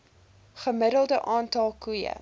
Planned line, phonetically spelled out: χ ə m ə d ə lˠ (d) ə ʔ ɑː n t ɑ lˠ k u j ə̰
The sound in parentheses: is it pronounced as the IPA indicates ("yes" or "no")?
yes